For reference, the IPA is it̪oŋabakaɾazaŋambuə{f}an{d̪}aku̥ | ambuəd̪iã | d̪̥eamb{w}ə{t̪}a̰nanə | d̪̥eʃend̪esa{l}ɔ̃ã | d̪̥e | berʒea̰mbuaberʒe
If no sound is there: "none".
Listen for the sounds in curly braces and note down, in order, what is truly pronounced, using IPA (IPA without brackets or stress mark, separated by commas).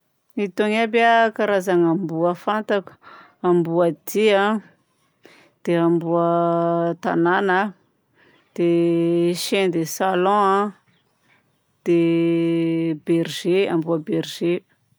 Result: f, t̪, u, t̪, l